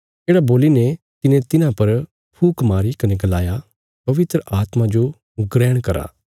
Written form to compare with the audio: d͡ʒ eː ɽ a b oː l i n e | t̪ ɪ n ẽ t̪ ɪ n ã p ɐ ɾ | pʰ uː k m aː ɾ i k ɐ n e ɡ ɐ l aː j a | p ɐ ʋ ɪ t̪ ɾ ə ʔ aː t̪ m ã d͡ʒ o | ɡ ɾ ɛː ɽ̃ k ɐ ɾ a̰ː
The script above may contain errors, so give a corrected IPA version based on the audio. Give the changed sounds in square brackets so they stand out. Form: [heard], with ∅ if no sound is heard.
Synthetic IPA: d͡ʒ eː ɽ a b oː l i n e | t̪ ɪ n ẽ t̪ ɪ n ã p ɐ ɾ | pʰ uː k m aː ɾ i k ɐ n e ɡ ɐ l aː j a | p ɐ ʋ ɪ t̪ ɾ ə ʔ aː t̪ m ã d͡ʒ o | ɡ ɾ ɛː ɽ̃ k ɐ ɾ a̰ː